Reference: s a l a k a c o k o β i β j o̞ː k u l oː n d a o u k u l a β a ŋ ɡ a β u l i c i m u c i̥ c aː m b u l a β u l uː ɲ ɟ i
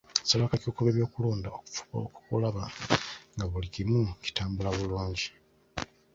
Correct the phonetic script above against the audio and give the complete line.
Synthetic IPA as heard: s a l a k a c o k o β e β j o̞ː k u l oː n d a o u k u l a β a ŋ ɡ a β u l i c i m u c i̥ t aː m b u l a β u l uː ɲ ɟ i

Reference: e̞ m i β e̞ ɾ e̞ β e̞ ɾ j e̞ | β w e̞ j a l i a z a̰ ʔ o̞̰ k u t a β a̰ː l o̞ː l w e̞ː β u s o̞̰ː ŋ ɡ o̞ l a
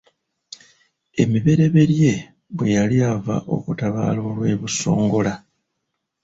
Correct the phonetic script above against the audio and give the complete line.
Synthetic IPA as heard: e̞ m i β e̞ ɾ e̞ β e̞ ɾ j e̞ | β w e̞ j a l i a v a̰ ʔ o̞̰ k u t a β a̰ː l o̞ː l w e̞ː β u s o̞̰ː ŋ ɡ o̞ l a

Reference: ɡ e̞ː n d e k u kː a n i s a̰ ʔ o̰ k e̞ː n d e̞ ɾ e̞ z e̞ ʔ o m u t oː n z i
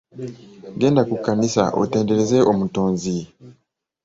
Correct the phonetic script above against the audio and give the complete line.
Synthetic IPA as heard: ɡ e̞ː n d a k u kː a n i s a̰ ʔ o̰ t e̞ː n d e̞ ɾ e̞ z e̞ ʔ o m u t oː n z i

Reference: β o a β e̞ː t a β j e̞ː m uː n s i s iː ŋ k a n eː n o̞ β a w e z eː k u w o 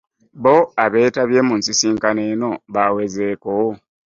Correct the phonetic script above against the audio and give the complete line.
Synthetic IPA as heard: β o a β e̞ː t a β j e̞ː m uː n s i s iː ŋ k a n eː n o̞ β a w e z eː k o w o

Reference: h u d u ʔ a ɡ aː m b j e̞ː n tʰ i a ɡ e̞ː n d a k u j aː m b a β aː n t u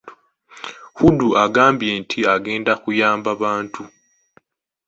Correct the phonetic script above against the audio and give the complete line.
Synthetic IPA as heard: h u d u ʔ a ɡ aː m b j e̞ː n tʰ i a ɡ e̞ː n d a k u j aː m b a β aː n t u

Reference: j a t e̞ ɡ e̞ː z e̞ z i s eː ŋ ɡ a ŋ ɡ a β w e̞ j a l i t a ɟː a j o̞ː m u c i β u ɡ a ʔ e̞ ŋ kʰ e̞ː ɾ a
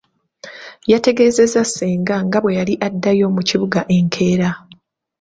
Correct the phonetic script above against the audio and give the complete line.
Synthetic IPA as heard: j a t e̞ ɡ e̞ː z e̞ z a s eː ŋ ɡ a ŋ ɡ a β w e̞ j a l i ʔ a dː a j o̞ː m u c i β u ɡ a ʔ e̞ ŋ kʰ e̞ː ɾ a

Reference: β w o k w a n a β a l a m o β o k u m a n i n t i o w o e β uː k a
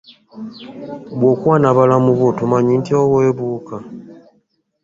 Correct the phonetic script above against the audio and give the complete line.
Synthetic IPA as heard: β w o k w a n a β a l a m u β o t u m a ɲ i n t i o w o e β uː k a

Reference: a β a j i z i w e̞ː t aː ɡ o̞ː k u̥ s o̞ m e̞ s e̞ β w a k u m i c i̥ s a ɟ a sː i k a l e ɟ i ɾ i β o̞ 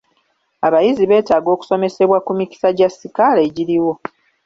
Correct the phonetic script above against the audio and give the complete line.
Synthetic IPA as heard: a β a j i z i β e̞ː t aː ɡ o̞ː k u̥ s o̞ m e̞ s e̞ β w a k u m i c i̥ s a ɟ a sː i k a l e ɟ i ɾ i w o̞

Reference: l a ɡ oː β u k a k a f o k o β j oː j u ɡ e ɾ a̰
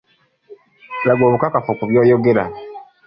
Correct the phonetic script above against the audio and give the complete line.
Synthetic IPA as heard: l a ɡ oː β u k a k a f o k u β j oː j o ɡ e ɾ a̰

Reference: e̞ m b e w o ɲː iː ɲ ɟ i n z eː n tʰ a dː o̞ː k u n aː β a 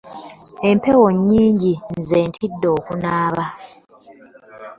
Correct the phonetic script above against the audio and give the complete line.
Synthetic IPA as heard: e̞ m p e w o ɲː iː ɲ ɟ i n z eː n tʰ i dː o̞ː k u n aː β a

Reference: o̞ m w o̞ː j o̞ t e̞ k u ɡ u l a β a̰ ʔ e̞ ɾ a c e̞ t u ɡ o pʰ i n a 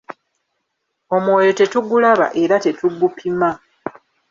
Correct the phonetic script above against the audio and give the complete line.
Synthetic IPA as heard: o̞ m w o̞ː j o̞ t e̞ t u ɡ u l a β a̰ ʔ e̞ ɾ a t e̞ t u ɡ u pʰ i m a

